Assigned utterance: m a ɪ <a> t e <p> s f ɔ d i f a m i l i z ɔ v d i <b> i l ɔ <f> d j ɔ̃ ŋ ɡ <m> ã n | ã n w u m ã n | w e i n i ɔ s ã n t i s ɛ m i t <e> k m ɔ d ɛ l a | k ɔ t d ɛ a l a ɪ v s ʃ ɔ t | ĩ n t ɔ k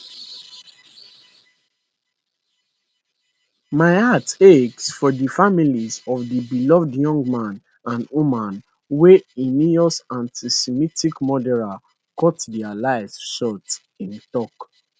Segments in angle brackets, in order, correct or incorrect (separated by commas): correct, incorrect, correct, incorrect, correct, incorrect